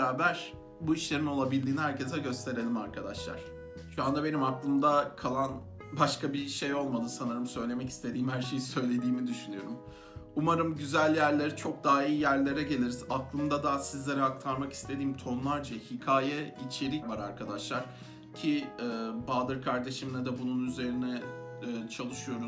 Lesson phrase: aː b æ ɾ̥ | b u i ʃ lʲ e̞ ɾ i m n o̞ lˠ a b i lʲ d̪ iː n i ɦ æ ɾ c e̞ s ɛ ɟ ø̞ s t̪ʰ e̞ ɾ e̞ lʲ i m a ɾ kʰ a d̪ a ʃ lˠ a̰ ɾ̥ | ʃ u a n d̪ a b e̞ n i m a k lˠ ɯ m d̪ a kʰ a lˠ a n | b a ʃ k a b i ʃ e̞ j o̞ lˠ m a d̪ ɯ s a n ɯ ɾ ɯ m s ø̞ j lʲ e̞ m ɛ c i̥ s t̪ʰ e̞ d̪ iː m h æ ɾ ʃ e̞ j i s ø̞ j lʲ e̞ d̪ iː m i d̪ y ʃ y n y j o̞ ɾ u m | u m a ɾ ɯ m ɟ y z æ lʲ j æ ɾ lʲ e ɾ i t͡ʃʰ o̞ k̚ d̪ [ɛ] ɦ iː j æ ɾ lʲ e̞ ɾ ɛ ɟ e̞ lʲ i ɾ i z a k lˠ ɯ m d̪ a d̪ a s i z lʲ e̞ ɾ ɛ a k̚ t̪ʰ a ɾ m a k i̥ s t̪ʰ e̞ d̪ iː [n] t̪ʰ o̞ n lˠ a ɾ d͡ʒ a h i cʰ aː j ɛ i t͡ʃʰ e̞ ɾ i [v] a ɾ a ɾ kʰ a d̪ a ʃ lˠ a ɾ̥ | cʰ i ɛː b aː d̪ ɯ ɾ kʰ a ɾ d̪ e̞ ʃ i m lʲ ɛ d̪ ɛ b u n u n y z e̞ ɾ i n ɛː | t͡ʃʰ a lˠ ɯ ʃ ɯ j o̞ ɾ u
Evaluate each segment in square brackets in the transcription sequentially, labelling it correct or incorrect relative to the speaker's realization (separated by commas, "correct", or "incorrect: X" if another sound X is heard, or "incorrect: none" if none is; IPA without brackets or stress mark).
incorrect: a, incorrect: m, correct